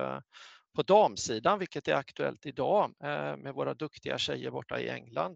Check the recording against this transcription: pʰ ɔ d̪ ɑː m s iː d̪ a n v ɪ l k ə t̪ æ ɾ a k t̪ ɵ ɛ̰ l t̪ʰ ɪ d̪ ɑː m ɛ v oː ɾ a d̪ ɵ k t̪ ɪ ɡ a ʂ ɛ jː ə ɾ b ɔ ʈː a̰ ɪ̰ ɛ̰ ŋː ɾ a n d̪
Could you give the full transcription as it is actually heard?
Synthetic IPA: pʰ ɔ d̪ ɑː m s iː d̪ a n v ɪ l k ə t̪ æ ɾ a k t̪ ɵ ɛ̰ l t̪ ɪ d̪ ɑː m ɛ v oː ɾ a d̪ ɵ k t̪ ɪ ɡ a ɕ ɛ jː ə ɾ b ɔ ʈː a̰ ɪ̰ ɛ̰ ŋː l a n d̪